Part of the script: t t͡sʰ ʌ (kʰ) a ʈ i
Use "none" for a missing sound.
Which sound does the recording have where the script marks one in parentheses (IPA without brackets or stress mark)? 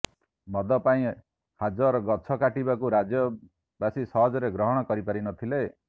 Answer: k